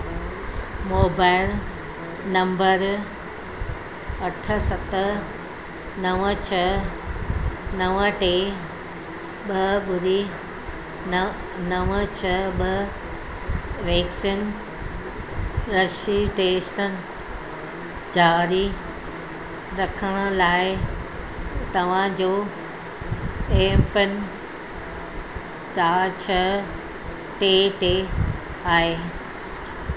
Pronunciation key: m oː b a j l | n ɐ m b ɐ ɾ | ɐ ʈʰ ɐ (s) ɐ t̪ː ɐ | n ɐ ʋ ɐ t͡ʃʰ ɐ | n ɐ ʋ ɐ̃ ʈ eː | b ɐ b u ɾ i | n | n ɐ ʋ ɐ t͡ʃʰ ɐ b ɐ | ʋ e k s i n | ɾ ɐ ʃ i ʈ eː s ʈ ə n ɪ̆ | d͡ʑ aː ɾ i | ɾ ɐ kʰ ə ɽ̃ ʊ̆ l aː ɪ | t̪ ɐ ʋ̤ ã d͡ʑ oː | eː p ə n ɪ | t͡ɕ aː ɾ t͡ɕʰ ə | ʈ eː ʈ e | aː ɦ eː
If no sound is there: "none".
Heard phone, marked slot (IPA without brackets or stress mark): s